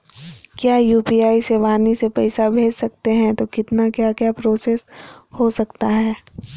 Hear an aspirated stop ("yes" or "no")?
no